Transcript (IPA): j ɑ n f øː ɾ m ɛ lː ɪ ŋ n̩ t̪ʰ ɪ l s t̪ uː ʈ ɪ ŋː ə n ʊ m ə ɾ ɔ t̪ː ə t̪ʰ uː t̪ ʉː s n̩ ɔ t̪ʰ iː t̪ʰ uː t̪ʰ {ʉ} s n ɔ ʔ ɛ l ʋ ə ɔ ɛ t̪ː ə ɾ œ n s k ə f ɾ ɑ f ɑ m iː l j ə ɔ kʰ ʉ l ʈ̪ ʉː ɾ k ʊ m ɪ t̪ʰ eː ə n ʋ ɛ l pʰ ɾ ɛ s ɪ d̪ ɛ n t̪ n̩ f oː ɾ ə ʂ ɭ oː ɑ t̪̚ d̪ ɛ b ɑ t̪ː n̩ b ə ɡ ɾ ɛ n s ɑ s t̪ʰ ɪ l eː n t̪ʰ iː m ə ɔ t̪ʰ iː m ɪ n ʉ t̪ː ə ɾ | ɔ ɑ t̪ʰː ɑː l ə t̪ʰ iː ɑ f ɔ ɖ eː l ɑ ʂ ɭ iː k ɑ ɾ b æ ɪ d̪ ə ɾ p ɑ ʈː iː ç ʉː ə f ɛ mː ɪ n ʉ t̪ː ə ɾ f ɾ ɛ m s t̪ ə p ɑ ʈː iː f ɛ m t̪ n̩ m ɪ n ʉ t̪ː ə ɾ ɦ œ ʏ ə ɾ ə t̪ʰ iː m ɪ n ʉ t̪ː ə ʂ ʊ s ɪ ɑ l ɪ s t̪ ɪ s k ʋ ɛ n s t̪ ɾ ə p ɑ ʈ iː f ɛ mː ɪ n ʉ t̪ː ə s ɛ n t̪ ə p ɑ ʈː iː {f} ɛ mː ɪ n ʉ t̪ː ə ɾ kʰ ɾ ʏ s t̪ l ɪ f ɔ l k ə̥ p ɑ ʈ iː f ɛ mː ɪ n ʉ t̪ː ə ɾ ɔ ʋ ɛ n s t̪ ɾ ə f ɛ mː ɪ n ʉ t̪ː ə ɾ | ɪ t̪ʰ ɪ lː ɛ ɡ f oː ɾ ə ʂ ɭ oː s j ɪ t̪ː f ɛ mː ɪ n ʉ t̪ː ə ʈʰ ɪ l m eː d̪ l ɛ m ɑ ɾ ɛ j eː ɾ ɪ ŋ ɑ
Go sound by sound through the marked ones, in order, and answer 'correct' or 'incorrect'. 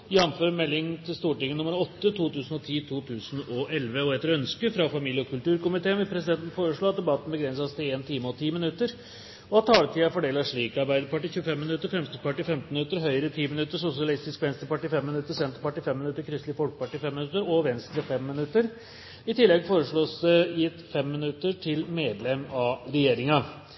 incorrect, correct

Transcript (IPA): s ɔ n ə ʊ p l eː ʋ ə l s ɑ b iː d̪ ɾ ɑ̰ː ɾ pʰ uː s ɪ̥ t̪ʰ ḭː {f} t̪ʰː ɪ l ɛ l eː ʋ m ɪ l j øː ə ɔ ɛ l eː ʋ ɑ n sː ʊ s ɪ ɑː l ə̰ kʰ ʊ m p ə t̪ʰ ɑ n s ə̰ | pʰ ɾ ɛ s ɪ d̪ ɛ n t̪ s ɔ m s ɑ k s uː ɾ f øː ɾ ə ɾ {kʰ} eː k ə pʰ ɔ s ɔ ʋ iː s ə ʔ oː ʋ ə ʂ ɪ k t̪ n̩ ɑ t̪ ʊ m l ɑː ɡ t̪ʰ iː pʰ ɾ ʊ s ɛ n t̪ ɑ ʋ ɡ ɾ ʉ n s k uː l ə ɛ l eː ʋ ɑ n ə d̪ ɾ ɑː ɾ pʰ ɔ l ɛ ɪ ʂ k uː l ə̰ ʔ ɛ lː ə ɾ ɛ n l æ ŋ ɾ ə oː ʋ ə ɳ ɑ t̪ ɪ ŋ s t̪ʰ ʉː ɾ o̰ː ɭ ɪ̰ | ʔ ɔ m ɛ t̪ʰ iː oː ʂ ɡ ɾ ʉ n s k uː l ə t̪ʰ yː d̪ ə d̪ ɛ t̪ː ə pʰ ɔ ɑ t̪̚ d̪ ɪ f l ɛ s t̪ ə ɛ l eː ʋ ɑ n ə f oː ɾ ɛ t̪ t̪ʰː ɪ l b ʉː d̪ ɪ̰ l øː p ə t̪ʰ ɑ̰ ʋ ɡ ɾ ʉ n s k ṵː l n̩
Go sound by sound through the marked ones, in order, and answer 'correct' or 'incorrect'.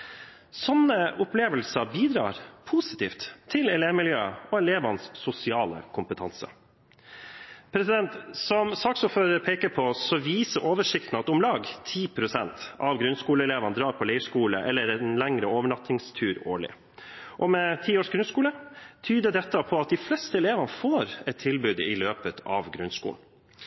correct, incorrect

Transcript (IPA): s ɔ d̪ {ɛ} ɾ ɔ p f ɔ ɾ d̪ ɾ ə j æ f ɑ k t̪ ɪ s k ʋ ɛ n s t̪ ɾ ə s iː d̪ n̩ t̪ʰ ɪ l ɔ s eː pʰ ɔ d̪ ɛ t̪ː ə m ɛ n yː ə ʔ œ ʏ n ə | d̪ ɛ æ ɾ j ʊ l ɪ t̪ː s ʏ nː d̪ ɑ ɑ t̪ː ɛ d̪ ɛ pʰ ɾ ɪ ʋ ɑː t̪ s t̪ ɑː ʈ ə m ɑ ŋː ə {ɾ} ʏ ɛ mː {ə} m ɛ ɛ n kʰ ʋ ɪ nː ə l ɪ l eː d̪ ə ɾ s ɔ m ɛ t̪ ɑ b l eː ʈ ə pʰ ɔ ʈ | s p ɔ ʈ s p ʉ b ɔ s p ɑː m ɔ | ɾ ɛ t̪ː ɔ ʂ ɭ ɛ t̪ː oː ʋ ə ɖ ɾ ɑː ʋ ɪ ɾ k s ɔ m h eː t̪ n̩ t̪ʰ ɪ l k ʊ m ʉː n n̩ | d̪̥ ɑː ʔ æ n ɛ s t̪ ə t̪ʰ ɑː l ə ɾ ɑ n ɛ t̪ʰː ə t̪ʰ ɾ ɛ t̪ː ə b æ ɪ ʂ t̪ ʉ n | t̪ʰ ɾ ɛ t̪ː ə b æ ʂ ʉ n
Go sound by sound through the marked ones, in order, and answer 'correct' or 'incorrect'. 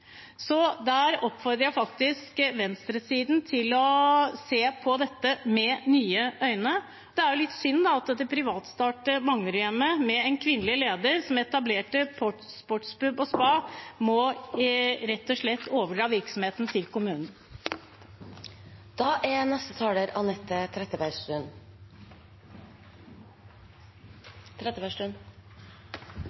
incorrect, correct, correct

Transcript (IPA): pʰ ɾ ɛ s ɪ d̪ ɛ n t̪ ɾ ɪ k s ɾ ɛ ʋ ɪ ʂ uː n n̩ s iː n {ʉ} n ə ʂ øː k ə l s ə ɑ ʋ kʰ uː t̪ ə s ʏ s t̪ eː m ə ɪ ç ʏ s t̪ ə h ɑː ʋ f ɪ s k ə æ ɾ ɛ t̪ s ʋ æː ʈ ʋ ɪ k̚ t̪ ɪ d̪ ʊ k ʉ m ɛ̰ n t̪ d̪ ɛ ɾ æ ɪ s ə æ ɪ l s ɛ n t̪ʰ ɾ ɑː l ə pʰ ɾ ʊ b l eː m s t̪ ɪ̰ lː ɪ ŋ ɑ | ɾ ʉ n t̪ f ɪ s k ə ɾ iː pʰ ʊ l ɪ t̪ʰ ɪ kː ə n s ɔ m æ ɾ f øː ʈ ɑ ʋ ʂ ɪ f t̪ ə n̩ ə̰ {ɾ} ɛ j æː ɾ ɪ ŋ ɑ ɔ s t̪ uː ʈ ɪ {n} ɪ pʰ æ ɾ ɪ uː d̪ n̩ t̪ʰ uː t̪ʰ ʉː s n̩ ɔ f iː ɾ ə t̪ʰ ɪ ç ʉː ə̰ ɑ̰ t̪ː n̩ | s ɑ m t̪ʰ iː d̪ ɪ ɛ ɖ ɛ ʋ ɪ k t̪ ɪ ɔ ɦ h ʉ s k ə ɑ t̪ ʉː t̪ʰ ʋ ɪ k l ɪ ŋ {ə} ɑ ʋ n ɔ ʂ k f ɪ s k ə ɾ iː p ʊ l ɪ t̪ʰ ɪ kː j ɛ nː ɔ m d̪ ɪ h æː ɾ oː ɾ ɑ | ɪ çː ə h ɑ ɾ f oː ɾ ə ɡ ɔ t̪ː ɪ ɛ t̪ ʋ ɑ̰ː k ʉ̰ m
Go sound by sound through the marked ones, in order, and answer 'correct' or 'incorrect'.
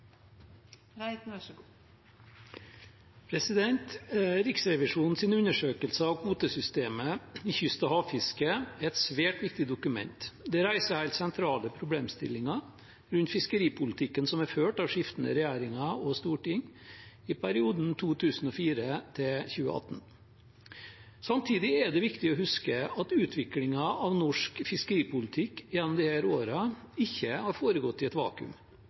correct, correct, incorrect, incorrect

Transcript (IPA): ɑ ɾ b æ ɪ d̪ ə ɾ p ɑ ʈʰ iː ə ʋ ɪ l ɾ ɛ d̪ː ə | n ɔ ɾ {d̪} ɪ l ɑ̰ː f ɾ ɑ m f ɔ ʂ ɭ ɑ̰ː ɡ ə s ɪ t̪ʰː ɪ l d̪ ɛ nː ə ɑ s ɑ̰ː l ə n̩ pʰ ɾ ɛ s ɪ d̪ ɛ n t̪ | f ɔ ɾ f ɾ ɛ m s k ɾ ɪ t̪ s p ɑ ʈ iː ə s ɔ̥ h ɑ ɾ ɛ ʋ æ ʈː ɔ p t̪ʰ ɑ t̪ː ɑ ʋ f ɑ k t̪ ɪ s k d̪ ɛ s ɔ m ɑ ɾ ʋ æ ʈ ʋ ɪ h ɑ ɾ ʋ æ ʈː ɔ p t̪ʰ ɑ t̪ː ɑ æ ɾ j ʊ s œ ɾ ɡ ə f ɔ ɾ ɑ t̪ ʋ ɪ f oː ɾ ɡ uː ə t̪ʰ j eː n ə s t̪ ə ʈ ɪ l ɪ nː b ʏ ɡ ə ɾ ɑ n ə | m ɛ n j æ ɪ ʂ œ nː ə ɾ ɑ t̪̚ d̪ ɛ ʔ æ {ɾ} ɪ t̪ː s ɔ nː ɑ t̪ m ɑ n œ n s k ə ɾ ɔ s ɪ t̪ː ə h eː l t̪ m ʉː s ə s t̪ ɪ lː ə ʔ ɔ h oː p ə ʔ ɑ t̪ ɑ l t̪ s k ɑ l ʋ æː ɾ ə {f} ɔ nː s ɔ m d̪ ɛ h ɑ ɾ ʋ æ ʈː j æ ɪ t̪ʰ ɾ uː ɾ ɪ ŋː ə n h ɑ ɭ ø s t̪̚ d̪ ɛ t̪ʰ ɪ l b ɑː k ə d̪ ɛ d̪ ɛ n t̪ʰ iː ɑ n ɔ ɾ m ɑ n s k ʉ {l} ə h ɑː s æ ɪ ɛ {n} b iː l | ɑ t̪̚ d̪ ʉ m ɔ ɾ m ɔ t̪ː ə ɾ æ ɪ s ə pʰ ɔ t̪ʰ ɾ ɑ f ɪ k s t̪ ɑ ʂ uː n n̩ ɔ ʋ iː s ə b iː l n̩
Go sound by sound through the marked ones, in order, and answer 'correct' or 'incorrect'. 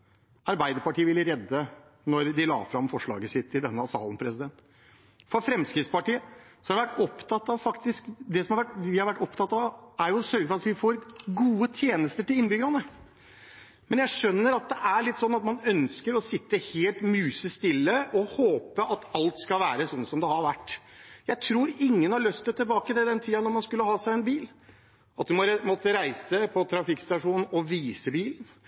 correct, incorrect, incorrect, incorrect, correct

